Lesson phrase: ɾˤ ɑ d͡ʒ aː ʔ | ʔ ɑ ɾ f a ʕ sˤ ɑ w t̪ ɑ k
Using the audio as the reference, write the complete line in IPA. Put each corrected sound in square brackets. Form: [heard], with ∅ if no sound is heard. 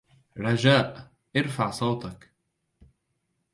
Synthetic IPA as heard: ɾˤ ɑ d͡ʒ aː ʔ | ʔ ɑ ɾ f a ʕ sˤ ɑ w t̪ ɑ k